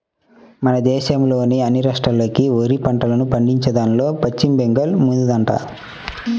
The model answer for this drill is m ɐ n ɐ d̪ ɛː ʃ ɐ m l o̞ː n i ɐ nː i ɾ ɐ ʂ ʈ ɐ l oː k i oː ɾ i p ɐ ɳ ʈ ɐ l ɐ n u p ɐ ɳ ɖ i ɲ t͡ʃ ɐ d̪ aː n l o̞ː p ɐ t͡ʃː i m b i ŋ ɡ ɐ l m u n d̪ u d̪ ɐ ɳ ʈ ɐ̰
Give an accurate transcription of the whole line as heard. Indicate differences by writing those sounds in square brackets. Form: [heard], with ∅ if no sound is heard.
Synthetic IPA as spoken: m ɐ n ɐ d̪ ɛː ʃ ɐ m l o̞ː n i ɐ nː i ɾ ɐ ʂ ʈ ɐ l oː k i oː ɾ i p ɐ ɳ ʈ ɐ l ɐ n u p ɐ ɳ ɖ i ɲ t͡ʃ ɐ d̪ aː n l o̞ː p ɐ t͡ʃː i m b [e] ŋ ɡ ɐ l m u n d̪ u d̪ ɐ ɳ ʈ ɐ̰